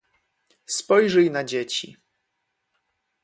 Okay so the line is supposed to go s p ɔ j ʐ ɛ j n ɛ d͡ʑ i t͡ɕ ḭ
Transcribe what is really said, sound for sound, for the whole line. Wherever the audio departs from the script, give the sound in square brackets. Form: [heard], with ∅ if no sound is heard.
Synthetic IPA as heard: s p ɔ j ʐ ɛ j n [a] d͡ʑ [e] t͡ɕ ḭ